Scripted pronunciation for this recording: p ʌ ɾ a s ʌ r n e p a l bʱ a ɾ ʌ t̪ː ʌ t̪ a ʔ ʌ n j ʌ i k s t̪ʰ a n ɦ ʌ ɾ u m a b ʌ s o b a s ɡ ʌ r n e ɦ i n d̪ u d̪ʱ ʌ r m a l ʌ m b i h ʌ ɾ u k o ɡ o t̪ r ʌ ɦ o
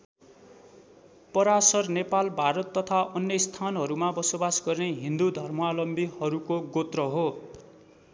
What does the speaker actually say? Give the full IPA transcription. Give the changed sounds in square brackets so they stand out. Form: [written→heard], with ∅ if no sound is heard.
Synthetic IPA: p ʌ ɾ a s ʌ r n e p a l bʱ a ɾ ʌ t̪ː ʌ [t̪→t̪ʰ] a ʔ ʌ n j ʌ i [k→∅] s t̪ʰ a n ɦ ʌ ɾ u m a b ʌ s o b a s ɡ ʌ r n e ɦ i n d̪ u d̪ʱ ʌ r m a l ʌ m b i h ʌ ɾ u k o ɡ o t̪ r ʌ ɦ o